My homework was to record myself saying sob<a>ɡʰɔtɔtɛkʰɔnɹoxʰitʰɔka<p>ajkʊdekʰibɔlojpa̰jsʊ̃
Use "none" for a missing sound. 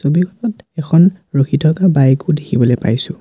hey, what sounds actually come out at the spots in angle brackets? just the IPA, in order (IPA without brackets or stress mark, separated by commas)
i, b